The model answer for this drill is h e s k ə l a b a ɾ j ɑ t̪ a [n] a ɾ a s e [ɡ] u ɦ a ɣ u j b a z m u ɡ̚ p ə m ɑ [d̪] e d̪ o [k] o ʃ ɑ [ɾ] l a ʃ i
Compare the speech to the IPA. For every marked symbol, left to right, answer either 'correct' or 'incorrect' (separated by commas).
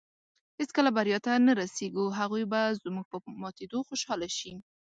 correct, correct, incorrect, incorrect, incorrect